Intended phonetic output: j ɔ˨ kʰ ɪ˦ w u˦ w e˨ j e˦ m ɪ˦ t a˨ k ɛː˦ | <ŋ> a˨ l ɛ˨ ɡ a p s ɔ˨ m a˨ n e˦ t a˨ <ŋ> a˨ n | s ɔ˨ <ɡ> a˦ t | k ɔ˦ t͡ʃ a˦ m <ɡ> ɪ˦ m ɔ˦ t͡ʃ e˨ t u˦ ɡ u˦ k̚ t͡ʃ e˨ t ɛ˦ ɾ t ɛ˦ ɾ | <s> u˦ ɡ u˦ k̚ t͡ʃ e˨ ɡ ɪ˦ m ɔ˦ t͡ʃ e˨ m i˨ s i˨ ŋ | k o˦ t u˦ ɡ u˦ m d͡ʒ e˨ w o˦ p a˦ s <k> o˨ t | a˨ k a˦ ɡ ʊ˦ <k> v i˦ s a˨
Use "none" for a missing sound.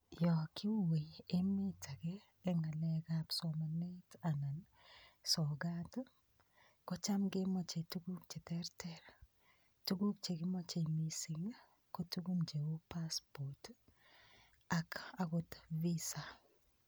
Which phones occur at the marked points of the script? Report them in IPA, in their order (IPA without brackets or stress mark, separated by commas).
ŋ, n, ɡ, ɡ, t, p, t